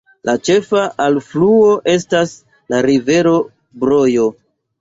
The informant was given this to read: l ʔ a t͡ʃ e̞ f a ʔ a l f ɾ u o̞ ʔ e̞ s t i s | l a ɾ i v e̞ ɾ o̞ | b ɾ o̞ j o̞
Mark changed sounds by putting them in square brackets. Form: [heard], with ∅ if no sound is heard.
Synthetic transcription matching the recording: l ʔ a t͡ʃ e̞ f a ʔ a l f [l] u o̞ ʔ e̞ s t [a] s | l a ɾ i v e̞ ɾ o̞ | b ɾ o̞ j o̞